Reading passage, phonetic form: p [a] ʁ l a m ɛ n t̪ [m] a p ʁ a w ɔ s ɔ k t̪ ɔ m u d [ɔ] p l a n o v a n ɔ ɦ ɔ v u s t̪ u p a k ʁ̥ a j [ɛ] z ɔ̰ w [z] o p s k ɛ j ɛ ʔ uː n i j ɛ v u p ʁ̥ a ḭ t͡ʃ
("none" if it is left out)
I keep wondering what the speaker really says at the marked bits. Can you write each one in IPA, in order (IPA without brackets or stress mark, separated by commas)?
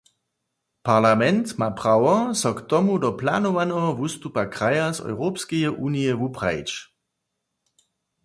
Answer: a, m, ɔ, a, ʁ